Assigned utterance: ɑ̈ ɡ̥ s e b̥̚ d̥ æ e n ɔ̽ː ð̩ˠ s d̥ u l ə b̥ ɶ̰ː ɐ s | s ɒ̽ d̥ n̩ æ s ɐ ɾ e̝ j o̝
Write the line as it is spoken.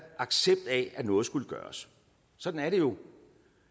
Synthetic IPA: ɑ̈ ɡ̥ s e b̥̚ d̥ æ æ n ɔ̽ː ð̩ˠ s ɡ̥ u l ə ɡ̥ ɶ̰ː ɐ s | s ɒ̽ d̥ n̩ æ ɐ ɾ e̝ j o̝